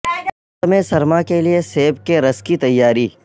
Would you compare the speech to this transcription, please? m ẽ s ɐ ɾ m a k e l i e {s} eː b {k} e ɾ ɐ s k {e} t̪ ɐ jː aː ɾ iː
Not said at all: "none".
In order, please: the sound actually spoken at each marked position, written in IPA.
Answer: s, k, i

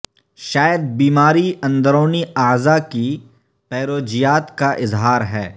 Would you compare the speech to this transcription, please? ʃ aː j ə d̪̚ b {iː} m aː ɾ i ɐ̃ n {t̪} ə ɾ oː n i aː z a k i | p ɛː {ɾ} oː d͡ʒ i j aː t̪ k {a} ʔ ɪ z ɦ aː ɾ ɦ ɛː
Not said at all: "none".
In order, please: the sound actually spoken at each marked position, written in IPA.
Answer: iː, d̪, ɾ, a

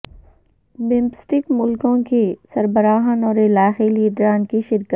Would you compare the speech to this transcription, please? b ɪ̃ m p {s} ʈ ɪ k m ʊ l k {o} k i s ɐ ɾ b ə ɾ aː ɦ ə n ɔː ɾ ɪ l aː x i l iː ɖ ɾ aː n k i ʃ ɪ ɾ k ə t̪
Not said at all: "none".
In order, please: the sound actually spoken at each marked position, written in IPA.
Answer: s, õ

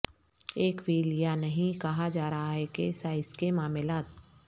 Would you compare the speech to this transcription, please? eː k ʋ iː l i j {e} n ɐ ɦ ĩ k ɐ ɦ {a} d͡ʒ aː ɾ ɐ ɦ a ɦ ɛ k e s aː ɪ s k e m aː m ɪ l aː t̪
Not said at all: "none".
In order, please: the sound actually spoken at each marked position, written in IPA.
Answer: a, a

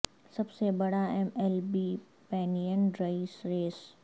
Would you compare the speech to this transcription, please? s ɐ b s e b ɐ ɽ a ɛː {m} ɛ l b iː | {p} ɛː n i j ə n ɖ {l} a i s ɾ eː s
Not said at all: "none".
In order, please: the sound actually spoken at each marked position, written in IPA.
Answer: m, p, ɾ

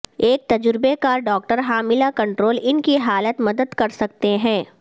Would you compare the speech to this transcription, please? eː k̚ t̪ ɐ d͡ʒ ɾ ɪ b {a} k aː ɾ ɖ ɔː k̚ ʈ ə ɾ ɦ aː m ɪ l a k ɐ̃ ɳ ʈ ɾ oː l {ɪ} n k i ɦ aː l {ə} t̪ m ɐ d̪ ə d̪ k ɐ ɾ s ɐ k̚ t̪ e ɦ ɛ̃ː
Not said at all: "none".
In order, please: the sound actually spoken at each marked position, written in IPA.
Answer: e, ɪ, ə

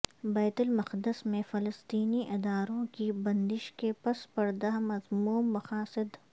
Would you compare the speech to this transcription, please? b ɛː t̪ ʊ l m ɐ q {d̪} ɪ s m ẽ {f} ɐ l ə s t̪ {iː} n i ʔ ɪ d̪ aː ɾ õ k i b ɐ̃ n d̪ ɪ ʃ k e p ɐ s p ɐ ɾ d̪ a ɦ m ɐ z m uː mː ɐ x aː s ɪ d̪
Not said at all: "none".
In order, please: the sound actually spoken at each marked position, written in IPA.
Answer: d̪, f, iː

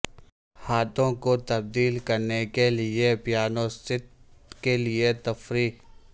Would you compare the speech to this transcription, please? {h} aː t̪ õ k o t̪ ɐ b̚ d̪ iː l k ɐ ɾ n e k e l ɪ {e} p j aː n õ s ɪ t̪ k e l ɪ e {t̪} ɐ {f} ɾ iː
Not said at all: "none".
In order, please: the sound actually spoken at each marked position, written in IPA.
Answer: h, e, t̪, f

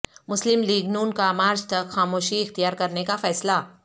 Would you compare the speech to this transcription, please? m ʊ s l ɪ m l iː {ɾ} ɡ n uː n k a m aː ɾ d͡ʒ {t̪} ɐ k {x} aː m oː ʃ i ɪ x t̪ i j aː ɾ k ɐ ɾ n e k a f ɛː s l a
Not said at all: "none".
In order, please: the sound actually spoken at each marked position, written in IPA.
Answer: none, t̪, x

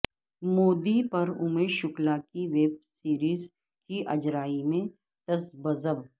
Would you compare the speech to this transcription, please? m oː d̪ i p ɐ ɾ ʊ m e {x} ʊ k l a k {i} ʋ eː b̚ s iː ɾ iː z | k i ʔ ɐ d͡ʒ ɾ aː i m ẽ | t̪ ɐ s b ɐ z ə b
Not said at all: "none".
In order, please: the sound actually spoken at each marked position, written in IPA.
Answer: ʃ, i

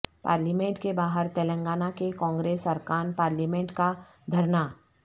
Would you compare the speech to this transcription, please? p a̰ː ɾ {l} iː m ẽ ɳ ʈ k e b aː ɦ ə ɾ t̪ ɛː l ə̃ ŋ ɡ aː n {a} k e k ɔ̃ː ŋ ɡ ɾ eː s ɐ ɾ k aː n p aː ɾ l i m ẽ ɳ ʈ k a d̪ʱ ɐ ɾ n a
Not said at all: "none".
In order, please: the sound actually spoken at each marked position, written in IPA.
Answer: l, a

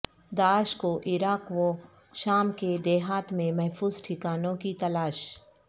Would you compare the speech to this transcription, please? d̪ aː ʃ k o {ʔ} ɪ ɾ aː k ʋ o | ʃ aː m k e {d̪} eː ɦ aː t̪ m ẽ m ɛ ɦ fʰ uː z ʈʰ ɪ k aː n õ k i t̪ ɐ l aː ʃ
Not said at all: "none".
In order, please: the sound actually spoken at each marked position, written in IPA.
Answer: ʔ, d̪

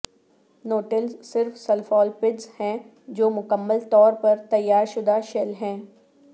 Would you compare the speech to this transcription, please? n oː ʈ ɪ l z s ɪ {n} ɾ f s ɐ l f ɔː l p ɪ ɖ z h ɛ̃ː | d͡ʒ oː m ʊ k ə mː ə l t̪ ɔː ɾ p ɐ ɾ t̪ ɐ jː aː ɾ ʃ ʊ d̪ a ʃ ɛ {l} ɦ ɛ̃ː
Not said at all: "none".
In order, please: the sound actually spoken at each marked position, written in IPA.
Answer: none, l

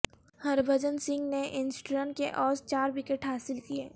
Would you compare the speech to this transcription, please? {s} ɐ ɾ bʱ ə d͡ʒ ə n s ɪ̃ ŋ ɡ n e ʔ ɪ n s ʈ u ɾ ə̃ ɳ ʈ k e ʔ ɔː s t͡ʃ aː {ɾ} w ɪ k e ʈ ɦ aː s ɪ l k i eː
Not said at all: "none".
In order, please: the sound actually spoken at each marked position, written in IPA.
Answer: h, ɾ

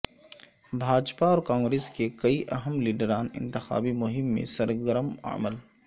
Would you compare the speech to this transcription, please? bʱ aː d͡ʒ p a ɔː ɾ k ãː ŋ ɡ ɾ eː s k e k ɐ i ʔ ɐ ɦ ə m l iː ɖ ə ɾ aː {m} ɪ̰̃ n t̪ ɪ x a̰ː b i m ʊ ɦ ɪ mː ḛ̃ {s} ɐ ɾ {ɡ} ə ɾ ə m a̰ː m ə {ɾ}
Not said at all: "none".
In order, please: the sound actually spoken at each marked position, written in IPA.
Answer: n, s, ɡ, l

